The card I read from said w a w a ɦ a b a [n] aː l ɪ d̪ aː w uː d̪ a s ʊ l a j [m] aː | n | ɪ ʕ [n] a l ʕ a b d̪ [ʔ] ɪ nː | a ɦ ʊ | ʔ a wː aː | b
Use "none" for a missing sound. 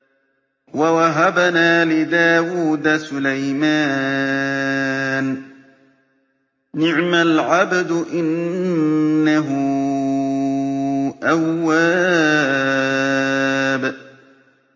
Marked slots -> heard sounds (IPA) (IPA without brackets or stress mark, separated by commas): n, m, m, ʔ